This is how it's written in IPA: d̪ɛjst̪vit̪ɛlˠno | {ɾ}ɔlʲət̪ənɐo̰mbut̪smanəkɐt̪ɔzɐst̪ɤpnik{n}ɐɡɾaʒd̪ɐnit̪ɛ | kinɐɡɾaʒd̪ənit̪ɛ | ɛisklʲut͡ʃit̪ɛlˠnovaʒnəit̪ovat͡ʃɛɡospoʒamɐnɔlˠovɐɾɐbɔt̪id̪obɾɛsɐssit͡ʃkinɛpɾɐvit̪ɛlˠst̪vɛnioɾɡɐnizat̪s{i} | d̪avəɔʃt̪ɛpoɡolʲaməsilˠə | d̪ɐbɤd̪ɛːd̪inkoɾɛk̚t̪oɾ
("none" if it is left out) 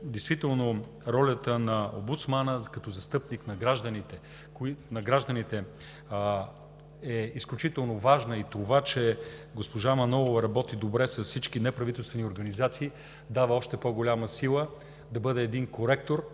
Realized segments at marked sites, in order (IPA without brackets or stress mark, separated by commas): ɾ, n, iː